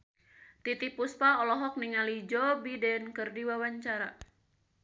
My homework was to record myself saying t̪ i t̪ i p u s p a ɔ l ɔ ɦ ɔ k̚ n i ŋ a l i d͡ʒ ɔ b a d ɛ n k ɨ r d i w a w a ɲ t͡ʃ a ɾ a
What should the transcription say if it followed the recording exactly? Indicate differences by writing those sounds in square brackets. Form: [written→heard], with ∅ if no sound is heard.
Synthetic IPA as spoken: t̪ i t̪ i p u s p a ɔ l ɔ ɦ ɔ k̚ n i ŋ a l i d͡ʒ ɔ b [a→i] d ɛ n k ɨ r d i w a w a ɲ t͡ʃ a ɾ a